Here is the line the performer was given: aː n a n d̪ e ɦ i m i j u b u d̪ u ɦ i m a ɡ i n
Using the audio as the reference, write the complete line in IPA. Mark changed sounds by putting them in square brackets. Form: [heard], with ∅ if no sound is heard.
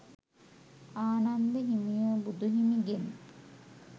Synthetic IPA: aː n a n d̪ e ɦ i m i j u b u d̪ u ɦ i m [i] ɡ [e] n

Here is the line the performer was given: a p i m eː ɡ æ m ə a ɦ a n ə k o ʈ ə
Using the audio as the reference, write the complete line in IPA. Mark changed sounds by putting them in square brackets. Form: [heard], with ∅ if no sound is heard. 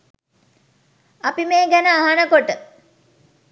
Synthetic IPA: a p i m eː ɡ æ [n] ə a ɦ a n ə k o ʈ ə

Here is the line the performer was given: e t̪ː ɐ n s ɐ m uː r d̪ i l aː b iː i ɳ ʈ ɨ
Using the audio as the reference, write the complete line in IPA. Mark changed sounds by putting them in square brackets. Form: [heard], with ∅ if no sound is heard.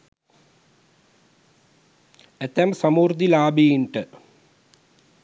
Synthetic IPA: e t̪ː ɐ [m] s ɐ m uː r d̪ i l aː b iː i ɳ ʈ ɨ

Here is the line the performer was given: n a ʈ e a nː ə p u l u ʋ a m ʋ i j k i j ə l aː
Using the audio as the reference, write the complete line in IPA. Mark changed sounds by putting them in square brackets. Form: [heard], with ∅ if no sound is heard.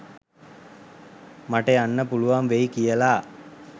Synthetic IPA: [m] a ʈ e a nː ə p u l u ʋ a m ʋ [e] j k i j ə l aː

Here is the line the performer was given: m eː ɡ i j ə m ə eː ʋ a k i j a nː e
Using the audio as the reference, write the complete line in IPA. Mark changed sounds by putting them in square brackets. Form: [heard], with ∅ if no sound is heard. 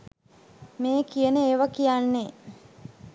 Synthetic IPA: m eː [k] i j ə [n] ə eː ʋ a k i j a nː e

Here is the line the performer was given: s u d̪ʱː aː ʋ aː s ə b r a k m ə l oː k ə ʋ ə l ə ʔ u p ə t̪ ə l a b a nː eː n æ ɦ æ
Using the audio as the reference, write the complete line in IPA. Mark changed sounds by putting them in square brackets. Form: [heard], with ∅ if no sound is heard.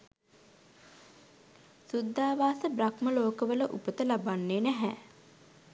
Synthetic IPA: s u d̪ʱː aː ʋ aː s ə b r a k m ə l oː k ə ʋ ə l ə ʔ u p ə t̪ ə l a b a nː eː n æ ɦ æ

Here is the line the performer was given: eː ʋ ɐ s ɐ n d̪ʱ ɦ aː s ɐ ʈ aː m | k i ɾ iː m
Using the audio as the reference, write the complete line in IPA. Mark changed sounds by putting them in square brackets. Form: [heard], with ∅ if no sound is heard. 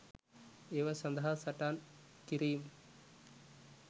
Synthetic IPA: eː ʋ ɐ s ɐ n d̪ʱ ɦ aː s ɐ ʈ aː [n] | k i ɾ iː m

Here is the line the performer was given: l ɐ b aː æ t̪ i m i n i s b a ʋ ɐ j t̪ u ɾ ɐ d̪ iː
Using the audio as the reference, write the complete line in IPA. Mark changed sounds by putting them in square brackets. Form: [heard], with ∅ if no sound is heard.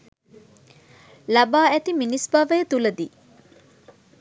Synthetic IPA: l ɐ b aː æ t̪ i m i n i s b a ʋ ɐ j t̪ u [l] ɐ d̪ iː

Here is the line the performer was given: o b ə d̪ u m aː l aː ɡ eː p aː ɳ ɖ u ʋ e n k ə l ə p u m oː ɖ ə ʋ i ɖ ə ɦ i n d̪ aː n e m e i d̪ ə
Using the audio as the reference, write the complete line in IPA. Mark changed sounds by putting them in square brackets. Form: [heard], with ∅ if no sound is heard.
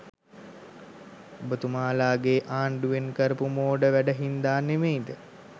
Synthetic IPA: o b ə [t̪] u m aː l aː ɡ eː [ʔ] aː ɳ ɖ u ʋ e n k ə [ɾ] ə p u m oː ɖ ə ʋ [æ] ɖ ə ɦ i n d̪ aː n e m e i d̪ ə

